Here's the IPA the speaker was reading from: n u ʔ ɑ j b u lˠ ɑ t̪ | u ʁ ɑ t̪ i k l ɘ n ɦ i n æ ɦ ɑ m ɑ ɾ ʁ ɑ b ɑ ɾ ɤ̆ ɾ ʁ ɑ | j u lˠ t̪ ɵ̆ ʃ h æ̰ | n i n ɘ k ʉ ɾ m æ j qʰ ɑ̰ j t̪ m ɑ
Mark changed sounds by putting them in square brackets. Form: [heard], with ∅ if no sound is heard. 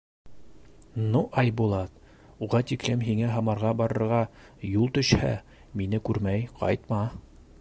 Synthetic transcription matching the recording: n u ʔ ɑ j b u lˠ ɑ t̪ | u ʁ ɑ t̪ i k l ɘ [m] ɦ i [ŋ] æ ɦ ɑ m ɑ ɾ ʁ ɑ b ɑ ɾ ɤ̆ ɾ ʁ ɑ | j u lˠ t̪ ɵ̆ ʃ h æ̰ | [m] i n ɘ k ʉ ɾ m æ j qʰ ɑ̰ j t̪ m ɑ